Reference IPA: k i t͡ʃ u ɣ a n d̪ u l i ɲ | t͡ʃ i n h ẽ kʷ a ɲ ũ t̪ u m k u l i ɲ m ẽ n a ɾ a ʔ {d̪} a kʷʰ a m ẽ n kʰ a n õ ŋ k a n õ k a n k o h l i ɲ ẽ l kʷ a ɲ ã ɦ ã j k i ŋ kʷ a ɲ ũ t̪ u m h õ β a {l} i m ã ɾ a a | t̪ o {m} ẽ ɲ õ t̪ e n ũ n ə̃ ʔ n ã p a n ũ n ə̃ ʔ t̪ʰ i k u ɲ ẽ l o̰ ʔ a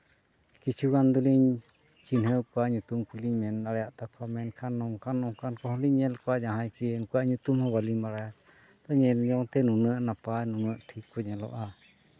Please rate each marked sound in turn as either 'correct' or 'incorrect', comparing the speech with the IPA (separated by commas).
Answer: incorrect, correct, incorrect